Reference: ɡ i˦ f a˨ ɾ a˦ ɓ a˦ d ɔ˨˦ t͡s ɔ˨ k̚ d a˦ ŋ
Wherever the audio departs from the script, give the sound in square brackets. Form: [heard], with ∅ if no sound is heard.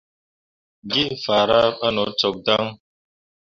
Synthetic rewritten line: ɡ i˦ f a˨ ɾ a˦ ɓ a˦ [n] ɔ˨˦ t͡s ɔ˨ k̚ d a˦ ŋ